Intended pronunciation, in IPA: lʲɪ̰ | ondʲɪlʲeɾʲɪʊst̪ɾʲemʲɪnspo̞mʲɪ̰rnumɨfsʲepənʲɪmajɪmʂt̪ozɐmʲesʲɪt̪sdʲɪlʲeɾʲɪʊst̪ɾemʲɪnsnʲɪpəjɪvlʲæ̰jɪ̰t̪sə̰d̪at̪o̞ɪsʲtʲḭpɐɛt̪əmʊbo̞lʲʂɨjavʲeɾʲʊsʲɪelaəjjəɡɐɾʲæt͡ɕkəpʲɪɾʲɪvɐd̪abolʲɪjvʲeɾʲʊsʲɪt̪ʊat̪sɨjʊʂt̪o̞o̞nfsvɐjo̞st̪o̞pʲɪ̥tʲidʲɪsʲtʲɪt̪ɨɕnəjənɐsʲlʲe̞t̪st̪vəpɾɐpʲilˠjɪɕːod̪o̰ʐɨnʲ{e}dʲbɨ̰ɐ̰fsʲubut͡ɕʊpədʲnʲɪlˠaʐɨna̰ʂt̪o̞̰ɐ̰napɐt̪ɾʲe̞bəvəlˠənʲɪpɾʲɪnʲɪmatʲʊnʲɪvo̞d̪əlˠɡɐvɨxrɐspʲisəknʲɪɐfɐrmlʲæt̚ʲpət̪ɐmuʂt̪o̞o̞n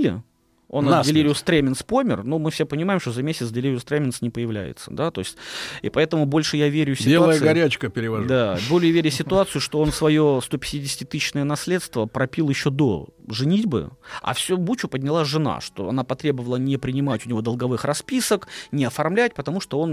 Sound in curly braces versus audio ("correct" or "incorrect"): incorrect